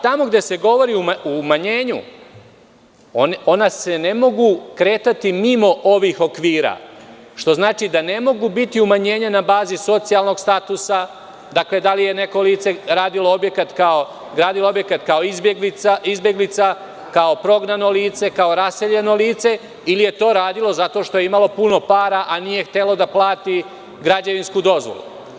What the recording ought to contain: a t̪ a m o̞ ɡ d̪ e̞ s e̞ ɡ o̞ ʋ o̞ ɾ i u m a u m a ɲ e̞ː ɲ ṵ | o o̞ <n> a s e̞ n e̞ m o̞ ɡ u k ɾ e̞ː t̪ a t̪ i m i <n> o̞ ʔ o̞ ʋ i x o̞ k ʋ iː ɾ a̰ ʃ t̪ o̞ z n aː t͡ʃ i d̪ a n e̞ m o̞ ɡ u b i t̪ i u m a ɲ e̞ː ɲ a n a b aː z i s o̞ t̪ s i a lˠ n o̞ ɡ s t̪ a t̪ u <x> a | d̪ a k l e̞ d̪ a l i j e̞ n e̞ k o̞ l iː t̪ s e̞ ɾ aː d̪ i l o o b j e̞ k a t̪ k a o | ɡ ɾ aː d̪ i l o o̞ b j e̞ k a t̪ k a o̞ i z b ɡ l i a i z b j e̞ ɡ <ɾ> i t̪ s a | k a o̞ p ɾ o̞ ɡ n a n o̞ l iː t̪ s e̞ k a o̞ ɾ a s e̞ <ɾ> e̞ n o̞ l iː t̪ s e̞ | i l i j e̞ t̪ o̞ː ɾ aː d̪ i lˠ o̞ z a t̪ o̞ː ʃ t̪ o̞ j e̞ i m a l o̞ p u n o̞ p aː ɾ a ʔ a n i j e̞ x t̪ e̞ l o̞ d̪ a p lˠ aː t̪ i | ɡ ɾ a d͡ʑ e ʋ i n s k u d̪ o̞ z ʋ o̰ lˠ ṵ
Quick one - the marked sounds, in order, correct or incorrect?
correct, incorrect: m, incorrect: s, incorrect: l, incorrect: ʎ

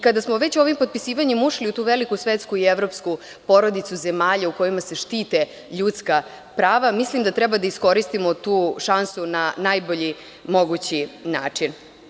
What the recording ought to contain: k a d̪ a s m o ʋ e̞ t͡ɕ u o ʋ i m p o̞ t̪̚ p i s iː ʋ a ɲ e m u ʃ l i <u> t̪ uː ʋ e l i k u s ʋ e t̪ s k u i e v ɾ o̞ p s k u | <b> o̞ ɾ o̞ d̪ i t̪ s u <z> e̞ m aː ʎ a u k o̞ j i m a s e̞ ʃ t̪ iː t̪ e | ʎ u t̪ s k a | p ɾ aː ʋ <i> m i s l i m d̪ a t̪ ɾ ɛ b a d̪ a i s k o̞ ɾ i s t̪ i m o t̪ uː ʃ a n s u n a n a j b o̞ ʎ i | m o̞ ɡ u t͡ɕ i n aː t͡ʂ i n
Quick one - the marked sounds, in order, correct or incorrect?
correct, incorrect: p, correct, incorrect: a

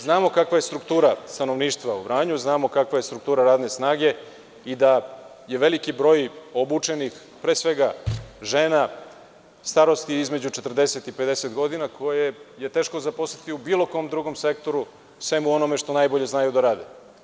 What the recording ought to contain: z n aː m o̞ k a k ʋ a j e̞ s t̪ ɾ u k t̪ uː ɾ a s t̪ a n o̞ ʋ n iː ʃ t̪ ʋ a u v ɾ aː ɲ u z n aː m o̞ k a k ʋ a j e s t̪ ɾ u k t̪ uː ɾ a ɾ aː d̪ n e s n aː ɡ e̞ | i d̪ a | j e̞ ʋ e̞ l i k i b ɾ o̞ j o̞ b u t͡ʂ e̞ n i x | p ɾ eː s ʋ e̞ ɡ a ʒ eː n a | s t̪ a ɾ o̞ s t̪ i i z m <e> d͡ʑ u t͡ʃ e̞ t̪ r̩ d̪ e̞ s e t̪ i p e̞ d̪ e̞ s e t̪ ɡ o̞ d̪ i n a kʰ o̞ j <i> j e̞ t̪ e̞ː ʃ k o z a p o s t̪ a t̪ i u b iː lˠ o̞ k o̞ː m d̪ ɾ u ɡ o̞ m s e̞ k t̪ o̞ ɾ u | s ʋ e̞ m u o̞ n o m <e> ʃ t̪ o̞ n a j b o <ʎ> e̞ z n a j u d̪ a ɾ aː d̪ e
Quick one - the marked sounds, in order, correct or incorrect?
correct, incorrect: e, correct, correct

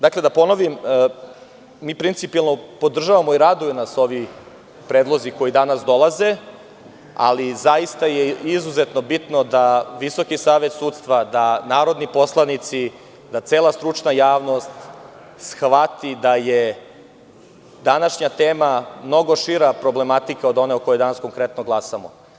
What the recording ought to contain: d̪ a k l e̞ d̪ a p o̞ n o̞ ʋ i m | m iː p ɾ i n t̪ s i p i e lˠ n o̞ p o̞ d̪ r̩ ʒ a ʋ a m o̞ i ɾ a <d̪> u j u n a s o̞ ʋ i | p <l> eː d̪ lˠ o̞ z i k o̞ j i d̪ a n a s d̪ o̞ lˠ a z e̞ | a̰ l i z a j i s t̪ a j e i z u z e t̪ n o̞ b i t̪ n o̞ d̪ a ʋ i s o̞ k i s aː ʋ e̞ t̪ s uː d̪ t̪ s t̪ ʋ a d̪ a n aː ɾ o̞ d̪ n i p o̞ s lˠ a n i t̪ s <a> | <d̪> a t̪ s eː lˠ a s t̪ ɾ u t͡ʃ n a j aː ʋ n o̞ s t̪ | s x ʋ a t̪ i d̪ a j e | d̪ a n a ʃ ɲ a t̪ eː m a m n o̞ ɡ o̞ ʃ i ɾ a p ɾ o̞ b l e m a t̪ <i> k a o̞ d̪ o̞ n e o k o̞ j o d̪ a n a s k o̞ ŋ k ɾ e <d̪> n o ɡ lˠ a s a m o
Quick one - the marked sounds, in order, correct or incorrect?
correct, incorrect: ɾ, incorrect: i, correct, correct, incorrect: t̪

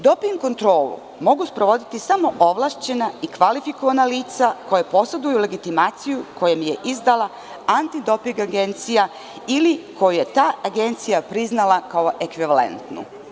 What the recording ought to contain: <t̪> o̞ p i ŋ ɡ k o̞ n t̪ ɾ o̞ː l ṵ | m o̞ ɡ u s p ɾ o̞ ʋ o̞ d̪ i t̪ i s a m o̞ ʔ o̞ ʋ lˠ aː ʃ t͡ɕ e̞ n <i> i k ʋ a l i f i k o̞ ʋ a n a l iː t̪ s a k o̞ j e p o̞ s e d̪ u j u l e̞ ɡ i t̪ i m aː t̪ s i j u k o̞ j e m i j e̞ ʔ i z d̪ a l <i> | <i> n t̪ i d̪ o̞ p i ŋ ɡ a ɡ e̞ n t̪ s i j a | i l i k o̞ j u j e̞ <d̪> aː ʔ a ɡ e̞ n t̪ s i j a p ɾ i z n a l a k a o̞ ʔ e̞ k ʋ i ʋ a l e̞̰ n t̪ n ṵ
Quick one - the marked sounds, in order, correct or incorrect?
incorrect: d̪, incorrect: a, incorrect: a, incorrect: a, incorrect: t̪

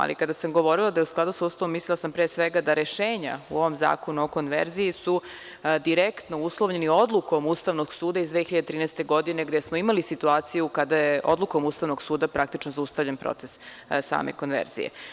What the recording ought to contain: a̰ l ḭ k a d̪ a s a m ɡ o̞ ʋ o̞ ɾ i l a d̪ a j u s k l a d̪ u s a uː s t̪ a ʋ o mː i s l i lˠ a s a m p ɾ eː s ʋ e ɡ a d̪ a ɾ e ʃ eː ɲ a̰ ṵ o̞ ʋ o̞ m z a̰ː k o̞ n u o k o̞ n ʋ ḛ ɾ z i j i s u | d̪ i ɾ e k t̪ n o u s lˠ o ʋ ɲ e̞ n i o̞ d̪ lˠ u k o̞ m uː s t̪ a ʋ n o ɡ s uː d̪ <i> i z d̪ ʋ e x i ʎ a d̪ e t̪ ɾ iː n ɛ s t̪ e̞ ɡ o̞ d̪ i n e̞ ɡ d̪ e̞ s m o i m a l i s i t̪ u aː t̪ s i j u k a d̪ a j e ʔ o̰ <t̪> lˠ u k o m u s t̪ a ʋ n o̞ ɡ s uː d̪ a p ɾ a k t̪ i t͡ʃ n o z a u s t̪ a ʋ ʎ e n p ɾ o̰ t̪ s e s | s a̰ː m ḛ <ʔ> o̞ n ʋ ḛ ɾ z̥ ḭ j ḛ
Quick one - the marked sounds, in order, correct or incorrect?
incorrect: a, incorrect: d̪, incorrect: k

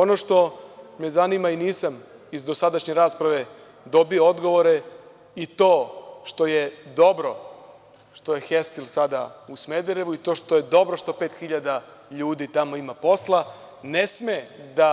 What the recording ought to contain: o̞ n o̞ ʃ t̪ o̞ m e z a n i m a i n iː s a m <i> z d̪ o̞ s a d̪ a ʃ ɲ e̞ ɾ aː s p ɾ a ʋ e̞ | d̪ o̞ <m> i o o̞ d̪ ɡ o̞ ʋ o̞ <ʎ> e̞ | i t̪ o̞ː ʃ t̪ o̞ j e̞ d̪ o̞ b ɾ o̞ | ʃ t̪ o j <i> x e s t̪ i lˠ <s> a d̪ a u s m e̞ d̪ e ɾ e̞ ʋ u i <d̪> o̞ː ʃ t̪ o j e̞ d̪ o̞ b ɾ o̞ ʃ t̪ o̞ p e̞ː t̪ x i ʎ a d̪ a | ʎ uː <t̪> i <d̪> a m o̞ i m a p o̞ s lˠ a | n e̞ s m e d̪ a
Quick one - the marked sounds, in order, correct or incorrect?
correct, incorrect: b, incorrect: ɾ, incorrect: e, correct, incorrect: t̪, incorrect: d̪, incorrect: t̪

